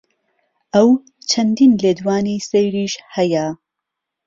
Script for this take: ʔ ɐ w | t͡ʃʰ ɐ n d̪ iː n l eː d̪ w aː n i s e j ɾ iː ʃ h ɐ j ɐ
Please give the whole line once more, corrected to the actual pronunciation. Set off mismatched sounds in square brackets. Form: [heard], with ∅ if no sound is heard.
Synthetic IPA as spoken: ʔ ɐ w | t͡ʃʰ ɐ n d̪ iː n l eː d̪ w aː n i s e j ɾ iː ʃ h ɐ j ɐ